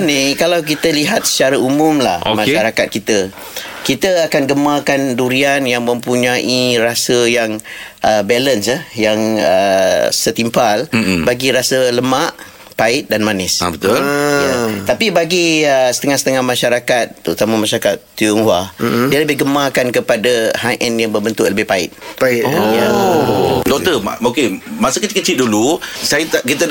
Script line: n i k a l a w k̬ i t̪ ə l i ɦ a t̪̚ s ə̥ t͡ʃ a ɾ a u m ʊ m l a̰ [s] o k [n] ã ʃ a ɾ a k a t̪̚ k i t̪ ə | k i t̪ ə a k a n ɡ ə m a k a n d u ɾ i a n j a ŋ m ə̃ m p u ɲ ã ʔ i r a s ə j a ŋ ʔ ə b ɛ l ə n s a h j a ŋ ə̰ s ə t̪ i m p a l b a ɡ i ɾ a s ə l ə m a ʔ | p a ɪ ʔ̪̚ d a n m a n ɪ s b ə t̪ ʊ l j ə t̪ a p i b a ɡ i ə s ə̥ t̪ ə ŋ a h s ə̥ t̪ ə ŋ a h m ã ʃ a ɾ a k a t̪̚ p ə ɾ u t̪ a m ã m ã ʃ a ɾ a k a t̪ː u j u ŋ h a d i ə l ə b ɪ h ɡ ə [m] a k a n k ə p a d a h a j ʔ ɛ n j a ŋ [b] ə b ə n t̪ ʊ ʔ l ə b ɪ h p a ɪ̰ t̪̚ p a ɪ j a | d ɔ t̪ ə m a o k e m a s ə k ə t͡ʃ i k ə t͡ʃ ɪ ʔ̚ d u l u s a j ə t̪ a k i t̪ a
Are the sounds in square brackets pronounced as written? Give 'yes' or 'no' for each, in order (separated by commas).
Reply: no, no, yes, yes